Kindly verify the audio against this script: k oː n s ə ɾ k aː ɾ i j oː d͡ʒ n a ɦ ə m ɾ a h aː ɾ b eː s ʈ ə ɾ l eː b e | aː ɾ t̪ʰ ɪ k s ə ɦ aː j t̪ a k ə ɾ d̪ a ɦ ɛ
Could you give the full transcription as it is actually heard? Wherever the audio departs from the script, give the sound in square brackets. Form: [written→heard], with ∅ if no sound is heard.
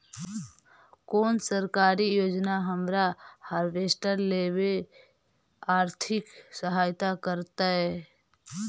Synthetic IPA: k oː n s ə ɾ k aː ɾ i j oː d͡ʒ n a ɦ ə m ɾ a h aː ɾ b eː s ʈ ə ɾ l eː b e | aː ɾ t̪ʰ ɪ k s ə ɦ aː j t̪ a k ə ɾ [d̪→t̪] a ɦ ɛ